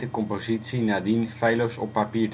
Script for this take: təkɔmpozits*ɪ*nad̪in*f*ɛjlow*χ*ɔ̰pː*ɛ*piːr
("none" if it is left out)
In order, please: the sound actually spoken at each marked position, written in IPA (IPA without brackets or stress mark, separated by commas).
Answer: i, f, s, a